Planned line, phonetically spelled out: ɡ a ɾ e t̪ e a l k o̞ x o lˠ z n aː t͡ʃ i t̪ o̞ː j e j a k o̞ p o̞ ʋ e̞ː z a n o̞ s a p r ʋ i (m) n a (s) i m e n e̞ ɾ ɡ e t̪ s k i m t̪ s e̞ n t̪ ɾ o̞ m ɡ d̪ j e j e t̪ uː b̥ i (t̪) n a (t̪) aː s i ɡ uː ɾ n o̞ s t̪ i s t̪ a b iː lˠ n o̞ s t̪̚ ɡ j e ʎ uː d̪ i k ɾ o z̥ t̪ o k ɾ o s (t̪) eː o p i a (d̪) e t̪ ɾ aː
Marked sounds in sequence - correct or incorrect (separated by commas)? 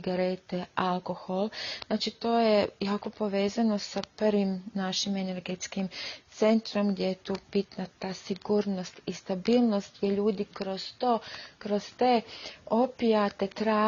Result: correct, incorrect, correct, correct, correct, incorrect